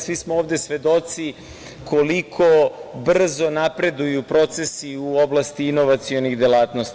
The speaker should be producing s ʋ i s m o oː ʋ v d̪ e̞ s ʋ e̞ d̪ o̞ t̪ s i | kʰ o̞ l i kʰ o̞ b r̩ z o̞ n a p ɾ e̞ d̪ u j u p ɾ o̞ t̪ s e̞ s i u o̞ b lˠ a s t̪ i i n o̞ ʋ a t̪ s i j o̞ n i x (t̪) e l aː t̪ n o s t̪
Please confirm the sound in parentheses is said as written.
no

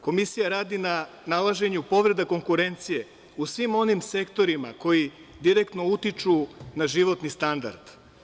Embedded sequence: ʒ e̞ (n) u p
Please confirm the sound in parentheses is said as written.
no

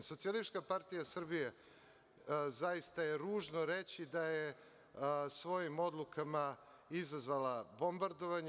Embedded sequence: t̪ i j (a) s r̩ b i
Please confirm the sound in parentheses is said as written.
yes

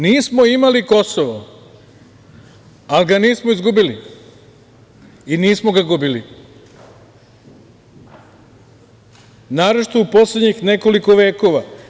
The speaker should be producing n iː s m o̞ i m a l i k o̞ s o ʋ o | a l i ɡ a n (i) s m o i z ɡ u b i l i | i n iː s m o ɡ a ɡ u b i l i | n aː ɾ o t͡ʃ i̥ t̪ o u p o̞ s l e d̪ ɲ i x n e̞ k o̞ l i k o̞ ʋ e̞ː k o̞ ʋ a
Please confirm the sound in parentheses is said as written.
no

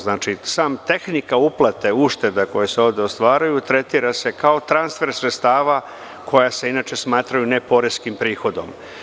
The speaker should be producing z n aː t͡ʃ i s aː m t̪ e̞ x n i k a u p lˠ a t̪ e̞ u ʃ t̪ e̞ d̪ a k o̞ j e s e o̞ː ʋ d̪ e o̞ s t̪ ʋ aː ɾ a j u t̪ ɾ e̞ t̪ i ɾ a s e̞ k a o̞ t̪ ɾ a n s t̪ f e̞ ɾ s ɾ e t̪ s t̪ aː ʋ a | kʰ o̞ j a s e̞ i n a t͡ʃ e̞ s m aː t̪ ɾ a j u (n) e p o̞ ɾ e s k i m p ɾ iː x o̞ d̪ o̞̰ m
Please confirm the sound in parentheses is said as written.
yes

